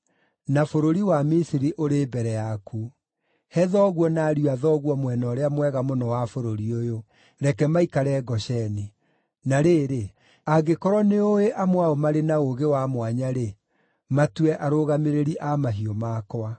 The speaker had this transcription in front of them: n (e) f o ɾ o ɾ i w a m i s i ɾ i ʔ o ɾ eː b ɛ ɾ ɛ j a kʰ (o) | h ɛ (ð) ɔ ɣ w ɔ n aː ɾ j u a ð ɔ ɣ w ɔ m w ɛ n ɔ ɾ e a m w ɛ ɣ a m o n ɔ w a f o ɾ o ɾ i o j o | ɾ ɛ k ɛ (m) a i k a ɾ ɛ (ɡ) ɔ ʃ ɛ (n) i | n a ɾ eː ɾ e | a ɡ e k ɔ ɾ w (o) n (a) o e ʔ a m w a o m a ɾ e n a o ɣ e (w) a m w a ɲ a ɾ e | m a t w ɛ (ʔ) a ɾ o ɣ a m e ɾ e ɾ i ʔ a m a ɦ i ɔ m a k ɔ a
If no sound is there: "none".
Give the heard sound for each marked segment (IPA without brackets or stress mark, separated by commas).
a, u, ð, m, ɡ, n, ɔ, e, w, ʔ